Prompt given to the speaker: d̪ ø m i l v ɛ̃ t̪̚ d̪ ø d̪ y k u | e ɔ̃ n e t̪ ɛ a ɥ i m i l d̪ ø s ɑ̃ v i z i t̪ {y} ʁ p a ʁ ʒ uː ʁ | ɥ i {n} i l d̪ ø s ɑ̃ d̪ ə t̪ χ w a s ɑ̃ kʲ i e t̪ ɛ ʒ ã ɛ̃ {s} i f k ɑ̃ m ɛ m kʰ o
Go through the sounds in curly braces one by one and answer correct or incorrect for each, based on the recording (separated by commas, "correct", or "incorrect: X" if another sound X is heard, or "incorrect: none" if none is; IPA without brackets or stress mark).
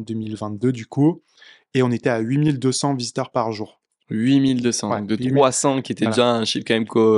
incorrect: œ, incorrect: m, incorrect: ʃ